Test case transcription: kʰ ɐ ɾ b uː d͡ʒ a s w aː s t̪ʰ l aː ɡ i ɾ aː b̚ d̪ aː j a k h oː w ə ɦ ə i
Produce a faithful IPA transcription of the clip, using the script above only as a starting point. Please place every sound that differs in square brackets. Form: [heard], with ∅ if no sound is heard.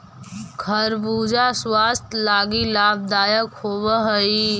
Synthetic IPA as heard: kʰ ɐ ɾ b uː d͡ʒ a s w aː s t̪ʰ l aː ɡ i [l] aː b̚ d̪ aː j [ə] k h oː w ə ɦ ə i